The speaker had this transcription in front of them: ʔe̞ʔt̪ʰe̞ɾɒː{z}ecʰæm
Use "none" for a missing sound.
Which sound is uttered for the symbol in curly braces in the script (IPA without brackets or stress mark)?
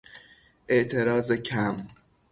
z